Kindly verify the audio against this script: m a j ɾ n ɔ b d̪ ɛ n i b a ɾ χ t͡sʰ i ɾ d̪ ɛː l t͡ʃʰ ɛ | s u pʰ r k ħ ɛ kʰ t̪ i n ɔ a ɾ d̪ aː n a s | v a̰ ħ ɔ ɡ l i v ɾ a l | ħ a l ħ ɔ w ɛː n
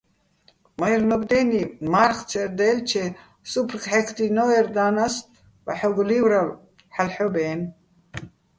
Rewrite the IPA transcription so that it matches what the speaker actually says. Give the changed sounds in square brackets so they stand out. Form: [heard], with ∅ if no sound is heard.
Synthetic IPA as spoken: m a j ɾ n ɔ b d̪ ɛ n i [m] a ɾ χ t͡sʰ [ɛ] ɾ d̪ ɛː l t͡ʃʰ ɛ | s u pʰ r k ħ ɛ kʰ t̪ i n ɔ [ɛ] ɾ d̪ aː n a s | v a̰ ħ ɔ ɡ l i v ɾ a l | ħ a l ħ ɔ [b] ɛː n

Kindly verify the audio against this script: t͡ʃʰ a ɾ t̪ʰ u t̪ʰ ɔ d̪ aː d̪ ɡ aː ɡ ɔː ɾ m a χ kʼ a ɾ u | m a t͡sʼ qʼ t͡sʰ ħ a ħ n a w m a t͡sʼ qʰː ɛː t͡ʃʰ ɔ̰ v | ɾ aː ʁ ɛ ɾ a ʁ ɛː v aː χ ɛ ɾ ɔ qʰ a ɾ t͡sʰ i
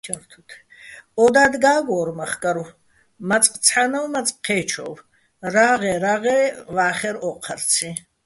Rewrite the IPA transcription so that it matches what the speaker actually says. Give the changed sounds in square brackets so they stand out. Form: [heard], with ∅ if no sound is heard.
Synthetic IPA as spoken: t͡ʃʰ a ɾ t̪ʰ u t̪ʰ ɔ d̪ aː d̪ ɡ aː ɡ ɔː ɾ m a χ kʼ a ɾ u | m a t͡sʼ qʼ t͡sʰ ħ a [∅] n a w m a t͡sʼ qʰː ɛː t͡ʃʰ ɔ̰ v | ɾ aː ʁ ɛ ɾ a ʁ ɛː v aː χ ɛ ɾ ɔ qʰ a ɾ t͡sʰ i

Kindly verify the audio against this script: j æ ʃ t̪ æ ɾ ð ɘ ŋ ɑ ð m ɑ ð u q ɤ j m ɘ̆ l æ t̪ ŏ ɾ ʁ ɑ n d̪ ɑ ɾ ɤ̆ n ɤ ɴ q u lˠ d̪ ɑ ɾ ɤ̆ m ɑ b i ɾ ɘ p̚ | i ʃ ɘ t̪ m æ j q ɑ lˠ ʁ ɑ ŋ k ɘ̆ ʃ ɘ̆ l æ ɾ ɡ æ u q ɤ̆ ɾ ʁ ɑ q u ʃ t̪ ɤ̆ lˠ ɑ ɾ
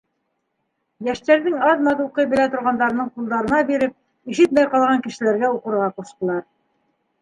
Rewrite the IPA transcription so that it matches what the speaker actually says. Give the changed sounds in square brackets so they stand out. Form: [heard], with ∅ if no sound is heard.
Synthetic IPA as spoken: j æ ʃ t̪ æ ɾ ð ɘ ŋ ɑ ð m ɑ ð u q ɤ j [b] ɘ̆ l æ t̪ ŏ ɾ ʁ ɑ n d̪ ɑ ɾ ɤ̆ n ɤ ɴ q u lˠ d̪ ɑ ɾ ɤ̆ [n] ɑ b i ɾ ɘ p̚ | i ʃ ɘ t̪ m æ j q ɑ lˠ ʁ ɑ ŋ k ɘ̆ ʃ ɘ̆ l æ ɾ ɡ æ u q ɤ̆ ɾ ʁ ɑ q u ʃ t̪ ɤ̆ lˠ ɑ ɾ

